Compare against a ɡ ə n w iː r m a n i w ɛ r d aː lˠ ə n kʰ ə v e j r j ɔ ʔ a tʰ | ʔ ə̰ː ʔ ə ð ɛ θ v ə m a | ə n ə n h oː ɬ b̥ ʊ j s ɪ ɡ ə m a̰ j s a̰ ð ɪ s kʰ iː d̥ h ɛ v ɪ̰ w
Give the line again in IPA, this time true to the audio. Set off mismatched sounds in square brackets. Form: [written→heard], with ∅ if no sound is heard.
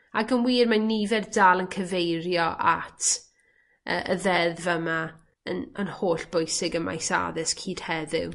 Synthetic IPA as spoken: a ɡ ə n w iː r m a n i [w→v] ɛ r d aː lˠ ə n kʰ ə v e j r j ɔ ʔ a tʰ | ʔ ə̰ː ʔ ə ð ɛ [θ→ð] v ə m a | ə n ə n h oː ɬ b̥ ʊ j s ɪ ɡ ə m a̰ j s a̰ ð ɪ s kʰ iː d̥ h ɛ [v→ð] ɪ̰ w